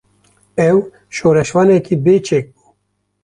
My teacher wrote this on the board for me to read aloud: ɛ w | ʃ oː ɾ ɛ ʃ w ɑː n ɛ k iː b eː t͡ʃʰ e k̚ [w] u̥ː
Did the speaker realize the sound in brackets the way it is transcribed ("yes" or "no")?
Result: no